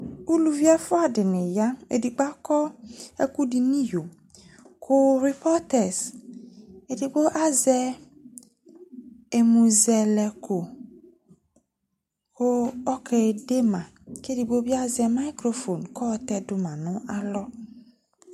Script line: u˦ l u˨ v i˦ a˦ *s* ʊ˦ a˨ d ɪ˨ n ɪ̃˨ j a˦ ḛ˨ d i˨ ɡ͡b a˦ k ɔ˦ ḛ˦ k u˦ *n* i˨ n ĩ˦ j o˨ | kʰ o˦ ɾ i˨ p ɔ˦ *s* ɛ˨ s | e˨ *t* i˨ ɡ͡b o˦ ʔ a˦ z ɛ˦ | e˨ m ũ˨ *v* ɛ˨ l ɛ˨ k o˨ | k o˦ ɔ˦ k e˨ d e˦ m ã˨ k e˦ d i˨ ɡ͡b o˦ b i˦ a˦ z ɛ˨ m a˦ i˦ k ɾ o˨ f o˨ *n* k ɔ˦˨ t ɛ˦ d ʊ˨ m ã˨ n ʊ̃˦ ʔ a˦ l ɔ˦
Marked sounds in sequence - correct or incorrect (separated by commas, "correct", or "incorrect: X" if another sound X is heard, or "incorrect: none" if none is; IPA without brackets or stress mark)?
incorrect: f, incorrect: d, incorrect: t, incorrect: d, incorrect: z, correct